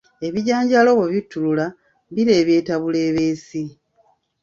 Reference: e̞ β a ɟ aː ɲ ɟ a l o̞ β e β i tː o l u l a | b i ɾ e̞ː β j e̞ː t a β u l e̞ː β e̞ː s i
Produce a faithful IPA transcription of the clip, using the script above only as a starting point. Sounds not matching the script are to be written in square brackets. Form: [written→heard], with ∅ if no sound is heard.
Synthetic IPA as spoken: e̞ β [a→i] ɟ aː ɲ ɟ a l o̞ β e β i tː [o→u] l u l a | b i ɾ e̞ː β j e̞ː t a β u l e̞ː β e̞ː s i

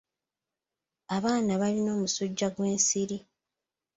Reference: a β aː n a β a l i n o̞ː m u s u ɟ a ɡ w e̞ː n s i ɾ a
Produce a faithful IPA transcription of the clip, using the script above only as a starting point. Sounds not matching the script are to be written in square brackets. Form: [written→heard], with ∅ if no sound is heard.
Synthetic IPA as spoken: a β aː n a β a l i n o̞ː m u s u [ɟ→ɟː] a ɡ w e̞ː n s i ɾ [a→i]

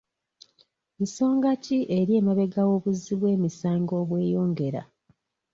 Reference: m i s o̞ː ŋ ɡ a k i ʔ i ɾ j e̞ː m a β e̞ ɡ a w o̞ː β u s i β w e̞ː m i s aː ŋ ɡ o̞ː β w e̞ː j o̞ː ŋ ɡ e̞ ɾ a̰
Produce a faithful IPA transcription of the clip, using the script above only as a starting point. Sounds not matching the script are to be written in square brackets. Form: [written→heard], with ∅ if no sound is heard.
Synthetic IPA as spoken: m i s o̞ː ŋ ɡ a [k→c] i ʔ [i→e] ɾ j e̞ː m a β e̞ ɡ a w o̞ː β u [s→z] i β w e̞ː m i s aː ŋ ɡ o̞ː β w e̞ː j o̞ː ŋ ɡ e̞ ɾ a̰

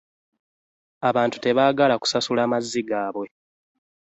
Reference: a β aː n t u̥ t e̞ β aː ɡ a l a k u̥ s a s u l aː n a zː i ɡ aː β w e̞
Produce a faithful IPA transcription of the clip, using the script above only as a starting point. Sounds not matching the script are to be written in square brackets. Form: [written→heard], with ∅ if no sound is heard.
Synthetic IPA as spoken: a β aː n t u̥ t e̞ β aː ɡ a l a k u̥ s a s u l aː [n→m] a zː i ɡ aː β w e̞

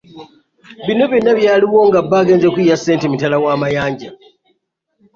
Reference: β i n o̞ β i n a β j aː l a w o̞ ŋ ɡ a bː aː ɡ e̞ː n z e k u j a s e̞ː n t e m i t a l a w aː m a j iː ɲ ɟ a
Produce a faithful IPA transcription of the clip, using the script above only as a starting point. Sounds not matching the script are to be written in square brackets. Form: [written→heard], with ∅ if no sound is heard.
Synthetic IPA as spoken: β i n o̞ β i n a β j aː l [a→i] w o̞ ŋ ɡ a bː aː ɡ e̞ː n z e k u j a s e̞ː n t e m i t a l a w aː m a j [iː→aː] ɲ ɟ a

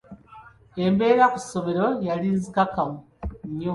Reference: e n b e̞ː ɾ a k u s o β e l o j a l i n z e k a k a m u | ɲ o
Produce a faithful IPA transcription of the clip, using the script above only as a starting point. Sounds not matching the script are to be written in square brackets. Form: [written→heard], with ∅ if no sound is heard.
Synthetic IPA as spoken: e [n→m] b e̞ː ɾ a k u s o β e [l→ɾ] o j a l i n z [e→i] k a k a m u | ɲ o

